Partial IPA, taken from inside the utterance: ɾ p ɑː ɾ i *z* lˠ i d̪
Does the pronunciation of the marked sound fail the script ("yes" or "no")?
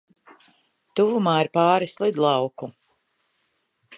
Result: yes